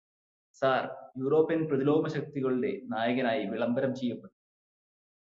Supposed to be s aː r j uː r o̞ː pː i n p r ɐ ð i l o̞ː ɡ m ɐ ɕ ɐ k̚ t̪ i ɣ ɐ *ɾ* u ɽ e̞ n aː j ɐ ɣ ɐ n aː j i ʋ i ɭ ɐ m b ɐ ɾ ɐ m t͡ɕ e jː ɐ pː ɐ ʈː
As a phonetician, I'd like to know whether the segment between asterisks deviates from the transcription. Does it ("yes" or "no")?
yes